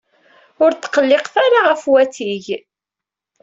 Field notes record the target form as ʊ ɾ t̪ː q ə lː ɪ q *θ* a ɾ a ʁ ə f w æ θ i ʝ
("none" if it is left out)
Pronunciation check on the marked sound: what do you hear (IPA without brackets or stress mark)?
θ